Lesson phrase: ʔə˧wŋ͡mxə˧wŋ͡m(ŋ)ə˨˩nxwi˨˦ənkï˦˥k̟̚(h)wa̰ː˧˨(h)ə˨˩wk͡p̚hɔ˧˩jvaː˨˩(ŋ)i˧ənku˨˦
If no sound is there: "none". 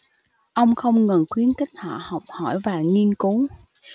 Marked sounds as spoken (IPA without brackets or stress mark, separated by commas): ŋ, h, h, ŋ